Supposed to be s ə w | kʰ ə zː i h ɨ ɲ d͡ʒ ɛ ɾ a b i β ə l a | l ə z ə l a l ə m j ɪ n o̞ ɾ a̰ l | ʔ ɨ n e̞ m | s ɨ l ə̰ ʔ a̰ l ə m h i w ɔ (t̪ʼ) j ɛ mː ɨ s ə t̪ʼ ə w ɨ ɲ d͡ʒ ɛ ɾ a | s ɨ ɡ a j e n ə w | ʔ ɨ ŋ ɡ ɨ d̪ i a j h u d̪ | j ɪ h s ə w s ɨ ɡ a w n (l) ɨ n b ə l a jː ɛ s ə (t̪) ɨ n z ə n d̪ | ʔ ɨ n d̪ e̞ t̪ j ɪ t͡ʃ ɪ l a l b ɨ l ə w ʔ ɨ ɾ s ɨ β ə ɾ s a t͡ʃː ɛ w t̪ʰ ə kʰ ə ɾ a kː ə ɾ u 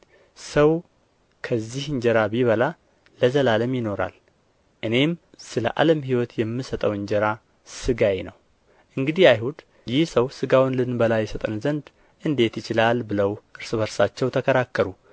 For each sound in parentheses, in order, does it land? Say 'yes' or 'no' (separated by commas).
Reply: no, yes, no